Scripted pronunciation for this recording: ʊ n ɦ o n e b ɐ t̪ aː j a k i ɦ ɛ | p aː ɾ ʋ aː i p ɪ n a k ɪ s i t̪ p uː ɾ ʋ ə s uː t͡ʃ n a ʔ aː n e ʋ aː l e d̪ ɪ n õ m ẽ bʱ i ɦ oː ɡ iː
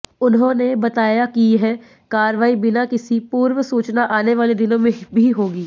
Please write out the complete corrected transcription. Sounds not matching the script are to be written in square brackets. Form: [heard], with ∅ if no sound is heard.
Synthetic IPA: ʊ n ɦ [õ] n e b ɐ t̪ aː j a k i ɦ ɛ | [k] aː ɾ ʋ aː i [b] ɪ n a k ɪ s i [∅] p uː ɾ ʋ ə s uː t͡ʃ n a ʔ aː n e ʋ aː l e d̪ ɪ n õ m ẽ bʱ i ɦ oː ɡ iː